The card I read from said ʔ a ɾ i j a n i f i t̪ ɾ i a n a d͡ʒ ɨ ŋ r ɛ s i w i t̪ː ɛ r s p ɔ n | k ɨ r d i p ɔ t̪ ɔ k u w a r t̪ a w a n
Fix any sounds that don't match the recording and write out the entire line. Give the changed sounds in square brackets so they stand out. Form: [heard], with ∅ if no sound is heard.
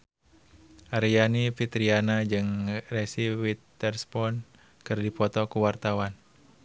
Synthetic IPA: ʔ a ɾ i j a n i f i t̪ ɾ i a n a d͡ʒ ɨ ŋ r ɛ s i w i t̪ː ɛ r s p ɔ n | k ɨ r d i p ɔ t̪ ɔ k u w a r t̪ a w a n